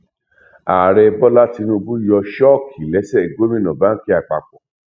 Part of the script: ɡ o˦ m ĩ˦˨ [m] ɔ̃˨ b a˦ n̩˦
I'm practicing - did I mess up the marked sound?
yes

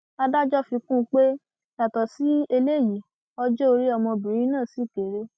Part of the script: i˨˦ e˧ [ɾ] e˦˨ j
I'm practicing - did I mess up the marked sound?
yes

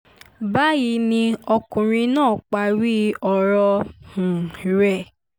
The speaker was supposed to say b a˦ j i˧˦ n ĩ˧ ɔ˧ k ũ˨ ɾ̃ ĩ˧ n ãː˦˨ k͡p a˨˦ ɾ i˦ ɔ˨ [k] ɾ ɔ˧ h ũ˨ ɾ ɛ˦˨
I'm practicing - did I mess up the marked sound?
yes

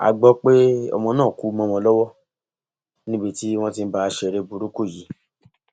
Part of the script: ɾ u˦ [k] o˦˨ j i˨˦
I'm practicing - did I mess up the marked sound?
no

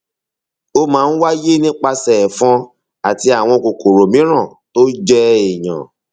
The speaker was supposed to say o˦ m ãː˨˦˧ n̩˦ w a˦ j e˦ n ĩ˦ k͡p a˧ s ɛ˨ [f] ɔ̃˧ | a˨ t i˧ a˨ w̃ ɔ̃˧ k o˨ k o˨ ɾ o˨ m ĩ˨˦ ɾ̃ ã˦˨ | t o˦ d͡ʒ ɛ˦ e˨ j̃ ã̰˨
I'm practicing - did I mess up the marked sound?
no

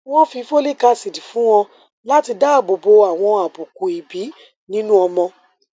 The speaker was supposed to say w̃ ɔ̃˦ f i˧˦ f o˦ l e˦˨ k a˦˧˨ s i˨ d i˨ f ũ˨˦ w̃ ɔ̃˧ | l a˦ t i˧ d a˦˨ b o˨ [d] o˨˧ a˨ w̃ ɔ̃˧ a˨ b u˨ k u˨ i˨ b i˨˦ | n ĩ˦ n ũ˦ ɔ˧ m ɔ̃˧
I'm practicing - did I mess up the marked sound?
yes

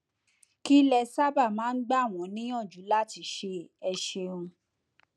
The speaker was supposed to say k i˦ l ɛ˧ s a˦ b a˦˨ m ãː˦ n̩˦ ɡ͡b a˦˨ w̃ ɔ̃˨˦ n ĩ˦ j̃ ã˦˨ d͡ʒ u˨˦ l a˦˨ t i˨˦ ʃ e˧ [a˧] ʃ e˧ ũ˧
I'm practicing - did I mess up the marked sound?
yes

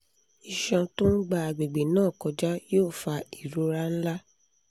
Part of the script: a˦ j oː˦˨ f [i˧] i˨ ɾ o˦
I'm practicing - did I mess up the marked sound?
yes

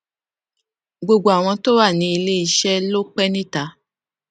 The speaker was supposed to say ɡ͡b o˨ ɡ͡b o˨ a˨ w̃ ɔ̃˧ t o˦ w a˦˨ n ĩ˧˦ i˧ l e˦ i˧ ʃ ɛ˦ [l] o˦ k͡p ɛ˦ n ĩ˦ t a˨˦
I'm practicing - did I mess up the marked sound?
no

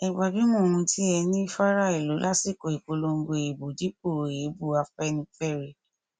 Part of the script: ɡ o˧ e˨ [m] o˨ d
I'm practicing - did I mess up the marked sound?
yes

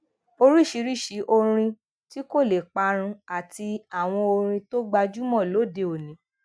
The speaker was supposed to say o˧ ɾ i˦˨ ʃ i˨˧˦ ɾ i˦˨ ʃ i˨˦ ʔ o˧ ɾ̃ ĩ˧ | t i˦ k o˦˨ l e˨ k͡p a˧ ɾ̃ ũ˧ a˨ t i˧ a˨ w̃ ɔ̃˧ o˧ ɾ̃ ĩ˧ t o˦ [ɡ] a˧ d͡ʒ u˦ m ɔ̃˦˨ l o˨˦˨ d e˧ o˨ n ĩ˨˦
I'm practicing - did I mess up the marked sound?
yes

